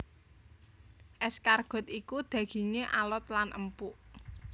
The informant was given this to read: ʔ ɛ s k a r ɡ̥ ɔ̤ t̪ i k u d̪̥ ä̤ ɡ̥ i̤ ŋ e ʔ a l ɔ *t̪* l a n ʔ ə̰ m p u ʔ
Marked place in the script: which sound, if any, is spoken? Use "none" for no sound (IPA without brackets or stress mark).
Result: t̪